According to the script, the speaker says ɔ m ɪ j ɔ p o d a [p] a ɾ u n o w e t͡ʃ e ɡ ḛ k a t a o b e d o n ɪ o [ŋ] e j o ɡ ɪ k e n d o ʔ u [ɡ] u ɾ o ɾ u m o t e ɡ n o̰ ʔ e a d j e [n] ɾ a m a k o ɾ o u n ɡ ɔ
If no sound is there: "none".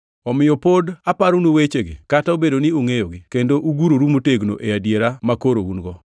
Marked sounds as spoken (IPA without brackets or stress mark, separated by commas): p, ŋ, ɡ, none